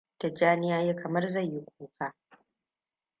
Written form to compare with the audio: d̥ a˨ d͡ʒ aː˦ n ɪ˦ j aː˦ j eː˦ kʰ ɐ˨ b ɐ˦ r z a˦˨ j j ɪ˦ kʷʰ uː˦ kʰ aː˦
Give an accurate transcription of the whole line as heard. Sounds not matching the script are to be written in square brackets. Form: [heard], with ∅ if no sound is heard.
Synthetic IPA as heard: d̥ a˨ d͡ʒ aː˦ n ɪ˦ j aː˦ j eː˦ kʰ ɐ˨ [m] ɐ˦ r z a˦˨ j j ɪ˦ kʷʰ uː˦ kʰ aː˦